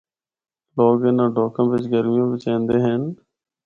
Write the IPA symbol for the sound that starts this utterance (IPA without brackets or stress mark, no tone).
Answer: l